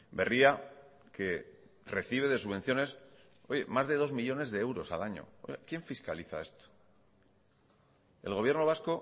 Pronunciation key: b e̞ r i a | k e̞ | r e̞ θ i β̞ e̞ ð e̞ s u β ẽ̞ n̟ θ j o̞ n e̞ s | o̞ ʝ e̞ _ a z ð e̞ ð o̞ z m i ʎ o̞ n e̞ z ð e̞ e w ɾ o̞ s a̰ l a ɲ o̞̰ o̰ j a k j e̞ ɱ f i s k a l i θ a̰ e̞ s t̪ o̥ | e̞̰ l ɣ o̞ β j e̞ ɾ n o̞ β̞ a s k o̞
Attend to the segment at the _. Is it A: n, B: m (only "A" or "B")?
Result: B